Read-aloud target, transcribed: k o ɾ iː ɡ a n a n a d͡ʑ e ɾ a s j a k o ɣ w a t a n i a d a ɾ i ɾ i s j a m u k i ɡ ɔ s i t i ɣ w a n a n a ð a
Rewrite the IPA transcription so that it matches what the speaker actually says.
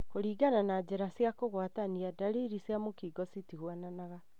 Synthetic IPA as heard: k o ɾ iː ɡ a n a n a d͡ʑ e ɾ a s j a k o ɣ w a t a n i a d a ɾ i ɾ i s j a m o k i ɡ ɔ s i t i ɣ w a n a n a ɣ a